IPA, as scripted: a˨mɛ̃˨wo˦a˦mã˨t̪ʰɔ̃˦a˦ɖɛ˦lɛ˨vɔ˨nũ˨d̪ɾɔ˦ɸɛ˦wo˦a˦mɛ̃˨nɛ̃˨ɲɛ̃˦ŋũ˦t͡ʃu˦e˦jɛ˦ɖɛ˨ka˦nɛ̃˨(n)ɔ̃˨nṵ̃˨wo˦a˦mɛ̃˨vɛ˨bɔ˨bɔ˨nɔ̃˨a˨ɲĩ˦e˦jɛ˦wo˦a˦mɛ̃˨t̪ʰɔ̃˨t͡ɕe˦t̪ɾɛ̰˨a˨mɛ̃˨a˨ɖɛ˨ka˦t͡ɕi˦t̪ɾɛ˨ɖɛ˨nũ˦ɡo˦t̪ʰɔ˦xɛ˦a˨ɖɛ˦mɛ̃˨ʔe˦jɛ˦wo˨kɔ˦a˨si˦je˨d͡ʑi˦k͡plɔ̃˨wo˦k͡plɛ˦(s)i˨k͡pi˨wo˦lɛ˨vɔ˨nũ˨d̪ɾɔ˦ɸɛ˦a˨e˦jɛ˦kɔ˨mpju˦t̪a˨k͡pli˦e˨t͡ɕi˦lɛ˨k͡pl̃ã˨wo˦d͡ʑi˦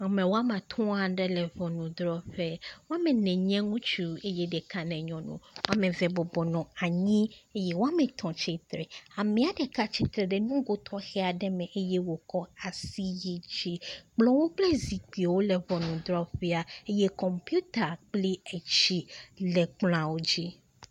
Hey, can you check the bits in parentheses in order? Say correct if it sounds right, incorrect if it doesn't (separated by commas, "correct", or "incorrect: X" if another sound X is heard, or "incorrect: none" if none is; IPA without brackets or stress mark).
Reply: incorrect: ɲ, incorrect: z